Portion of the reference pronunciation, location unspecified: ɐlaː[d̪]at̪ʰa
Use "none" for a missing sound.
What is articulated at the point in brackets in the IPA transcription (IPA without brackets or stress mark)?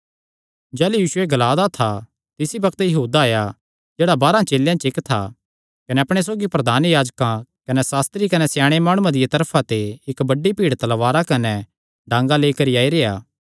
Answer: d̪